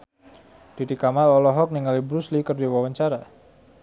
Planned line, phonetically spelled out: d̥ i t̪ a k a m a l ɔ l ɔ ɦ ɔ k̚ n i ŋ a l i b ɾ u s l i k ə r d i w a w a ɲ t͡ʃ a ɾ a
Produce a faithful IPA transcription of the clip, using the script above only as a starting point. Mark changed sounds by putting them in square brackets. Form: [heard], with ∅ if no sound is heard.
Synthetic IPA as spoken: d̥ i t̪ [i] k a m a l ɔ l ɔ ɦ ɔ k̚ n i ŋ a l i b ɾ u s l i k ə r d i w a w a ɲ t͡ʃ a ɾ a